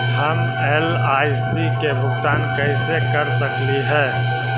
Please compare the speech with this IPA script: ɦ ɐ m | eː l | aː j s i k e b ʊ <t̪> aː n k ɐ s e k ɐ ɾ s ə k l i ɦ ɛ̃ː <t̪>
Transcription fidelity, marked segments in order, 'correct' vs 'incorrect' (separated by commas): correct, incorrect